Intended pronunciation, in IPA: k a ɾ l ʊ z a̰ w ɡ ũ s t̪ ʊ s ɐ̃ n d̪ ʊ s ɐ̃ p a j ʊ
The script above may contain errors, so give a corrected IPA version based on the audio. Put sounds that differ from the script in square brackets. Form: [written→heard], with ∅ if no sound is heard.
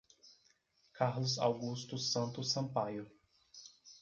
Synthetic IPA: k a ɾ l ʊ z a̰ w ɡ [ũ→u] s t̪ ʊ s ɐ̃ n [d̪→t̪] ʊ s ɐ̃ p a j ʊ